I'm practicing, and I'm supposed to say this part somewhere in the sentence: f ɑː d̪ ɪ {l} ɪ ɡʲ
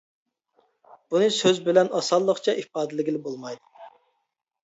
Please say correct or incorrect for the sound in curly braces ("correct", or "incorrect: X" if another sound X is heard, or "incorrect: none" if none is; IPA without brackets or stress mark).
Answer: correct